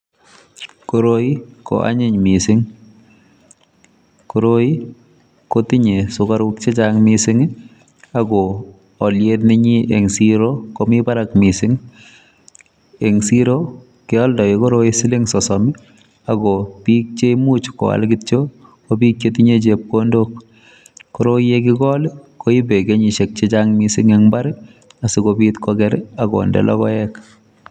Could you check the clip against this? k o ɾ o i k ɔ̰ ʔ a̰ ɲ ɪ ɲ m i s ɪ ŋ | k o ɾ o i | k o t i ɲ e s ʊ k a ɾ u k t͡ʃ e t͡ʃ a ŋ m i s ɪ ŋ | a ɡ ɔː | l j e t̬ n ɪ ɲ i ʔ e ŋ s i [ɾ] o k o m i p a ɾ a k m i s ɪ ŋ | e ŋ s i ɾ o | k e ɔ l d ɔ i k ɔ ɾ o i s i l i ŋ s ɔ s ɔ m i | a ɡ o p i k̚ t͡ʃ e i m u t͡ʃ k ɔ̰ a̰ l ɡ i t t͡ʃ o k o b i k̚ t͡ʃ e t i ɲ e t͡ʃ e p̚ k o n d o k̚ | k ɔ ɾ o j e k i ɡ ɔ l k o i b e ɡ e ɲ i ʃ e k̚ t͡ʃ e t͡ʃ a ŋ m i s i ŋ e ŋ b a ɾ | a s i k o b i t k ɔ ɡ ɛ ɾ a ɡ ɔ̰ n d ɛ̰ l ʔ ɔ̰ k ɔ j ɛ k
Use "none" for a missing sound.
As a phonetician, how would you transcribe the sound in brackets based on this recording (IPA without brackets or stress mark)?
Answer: ɾ